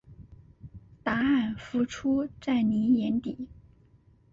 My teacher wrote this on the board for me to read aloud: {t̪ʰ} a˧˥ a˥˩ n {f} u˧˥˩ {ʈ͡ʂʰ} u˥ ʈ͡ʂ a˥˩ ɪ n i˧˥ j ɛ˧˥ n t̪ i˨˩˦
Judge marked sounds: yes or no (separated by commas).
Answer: no, yes, yes